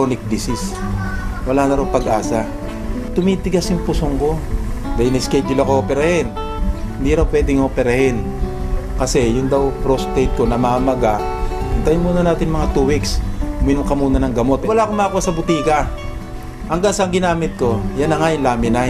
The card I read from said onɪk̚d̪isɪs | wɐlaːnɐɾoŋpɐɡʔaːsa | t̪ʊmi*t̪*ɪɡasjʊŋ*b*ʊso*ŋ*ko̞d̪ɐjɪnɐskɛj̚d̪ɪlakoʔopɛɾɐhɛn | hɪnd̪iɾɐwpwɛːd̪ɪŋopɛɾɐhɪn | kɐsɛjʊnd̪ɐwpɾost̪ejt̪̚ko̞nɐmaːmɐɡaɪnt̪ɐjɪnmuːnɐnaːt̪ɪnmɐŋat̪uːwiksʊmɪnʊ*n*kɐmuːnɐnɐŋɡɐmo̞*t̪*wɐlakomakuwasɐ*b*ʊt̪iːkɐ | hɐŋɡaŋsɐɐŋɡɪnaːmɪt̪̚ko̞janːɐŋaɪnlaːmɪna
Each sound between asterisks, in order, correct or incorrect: correct, incorrect, correct, incorrect, correct, correct

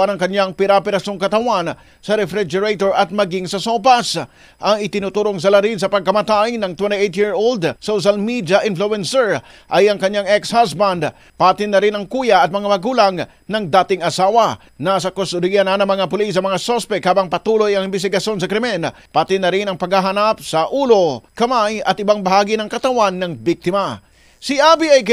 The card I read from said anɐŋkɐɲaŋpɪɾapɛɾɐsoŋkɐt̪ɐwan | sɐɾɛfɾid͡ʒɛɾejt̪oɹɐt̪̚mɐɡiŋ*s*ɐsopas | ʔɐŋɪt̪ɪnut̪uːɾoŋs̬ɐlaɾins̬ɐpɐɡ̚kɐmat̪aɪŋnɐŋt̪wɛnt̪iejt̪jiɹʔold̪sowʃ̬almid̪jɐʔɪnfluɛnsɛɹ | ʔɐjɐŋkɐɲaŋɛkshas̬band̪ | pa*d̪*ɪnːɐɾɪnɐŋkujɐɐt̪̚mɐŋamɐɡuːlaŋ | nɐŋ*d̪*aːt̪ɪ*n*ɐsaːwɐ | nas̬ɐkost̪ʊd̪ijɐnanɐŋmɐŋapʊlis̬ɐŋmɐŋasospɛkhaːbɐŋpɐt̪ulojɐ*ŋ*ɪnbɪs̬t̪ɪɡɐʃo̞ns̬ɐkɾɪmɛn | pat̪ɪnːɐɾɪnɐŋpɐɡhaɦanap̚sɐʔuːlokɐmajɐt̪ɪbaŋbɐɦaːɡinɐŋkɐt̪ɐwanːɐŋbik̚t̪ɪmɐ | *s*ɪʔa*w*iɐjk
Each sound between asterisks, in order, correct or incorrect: correct, incorrect, correct, incorrect, correct, correct, incorrect

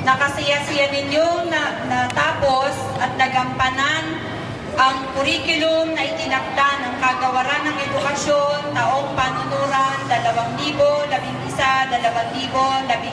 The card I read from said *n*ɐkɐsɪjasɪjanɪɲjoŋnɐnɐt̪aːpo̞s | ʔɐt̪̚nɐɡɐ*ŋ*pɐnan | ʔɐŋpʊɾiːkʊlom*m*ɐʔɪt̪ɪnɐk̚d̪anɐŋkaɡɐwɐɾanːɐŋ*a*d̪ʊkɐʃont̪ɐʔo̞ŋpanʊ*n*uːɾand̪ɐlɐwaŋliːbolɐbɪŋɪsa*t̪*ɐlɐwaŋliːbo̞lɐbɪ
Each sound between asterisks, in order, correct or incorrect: correct, incorrect, incorrect, incorrect, correct, incorrect

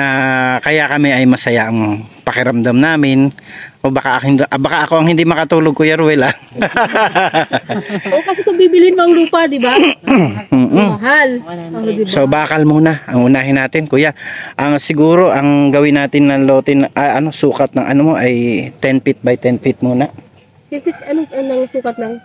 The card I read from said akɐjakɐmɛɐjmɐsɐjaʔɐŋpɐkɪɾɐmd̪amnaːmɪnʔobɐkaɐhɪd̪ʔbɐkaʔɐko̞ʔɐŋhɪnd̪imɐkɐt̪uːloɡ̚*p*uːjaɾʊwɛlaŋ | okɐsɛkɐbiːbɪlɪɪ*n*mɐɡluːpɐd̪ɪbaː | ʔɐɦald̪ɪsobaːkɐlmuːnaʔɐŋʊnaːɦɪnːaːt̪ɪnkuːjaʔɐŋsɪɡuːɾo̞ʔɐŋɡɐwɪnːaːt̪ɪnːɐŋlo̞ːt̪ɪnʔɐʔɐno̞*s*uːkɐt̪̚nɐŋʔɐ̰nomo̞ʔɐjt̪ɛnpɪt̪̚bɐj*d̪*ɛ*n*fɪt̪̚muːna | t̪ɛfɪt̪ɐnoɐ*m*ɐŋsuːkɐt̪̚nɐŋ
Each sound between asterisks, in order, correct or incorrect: incorrect, correct, correct, incorrect, correct, incorrect

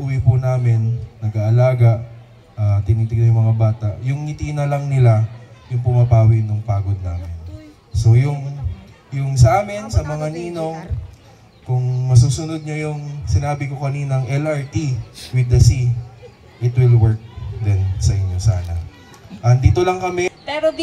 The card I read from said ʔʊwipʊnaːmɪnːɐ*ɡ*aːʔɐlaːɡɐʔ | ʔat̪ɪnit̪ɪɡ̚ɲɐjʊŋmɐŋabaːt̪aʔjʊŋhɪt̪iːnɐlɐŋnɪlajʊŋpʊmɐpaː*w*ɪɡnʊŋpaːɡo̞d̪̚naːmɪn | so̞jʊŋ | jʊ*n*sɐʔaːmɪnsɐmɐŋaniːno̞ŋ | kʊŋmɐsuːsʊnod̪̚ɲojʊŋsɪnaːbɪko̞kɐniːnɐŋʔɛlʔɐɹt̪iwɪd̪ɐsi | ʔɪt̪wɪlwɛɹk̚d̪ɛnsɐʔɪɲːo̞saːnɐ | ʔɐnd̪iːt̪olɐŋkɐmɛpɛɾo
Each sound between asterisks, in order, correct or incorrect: correct, correct, incorrect

